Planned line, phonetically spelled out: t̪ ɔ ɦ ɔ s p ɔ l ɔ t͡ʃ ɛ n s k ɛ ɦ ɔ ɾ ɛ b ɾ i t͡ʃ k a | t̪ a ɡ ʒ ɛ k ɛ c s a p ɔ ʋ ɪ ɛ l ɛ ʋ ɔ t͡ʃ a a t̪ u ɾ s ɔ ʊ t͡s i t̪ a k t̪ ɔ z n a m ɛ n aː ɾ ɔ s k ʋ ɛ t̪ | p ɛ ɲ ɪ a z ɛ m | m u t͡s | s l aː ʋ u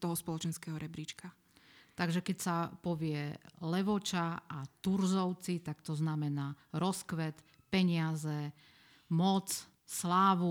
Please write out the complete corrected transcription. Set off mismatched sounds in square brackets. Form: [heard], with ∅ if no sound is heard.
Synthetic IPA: t̪ ɔ ɦ ɔ s p ɔ l ɔ t͡ʃ ɛ n s k ɛ ɦ ɔ ɾ ɛ b ɾ i t͡ʃ k a | t̪ a ɡ ʒ ɛ k ɛ c s a p ɔ ʋ ɪ ɛ l ɛ ʋ ɔ t͡ʃ a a t̪ u ɾ [z] ɔ ʊ t͡s i t̪ a k t̪ ɔ z n a m ɛ n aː ɾ ɔ s k ʋ ɛ t̪ | p ɛ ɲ ɪ a z ɛ [∅] | m [ɔ] t͡s | s l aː ʋ u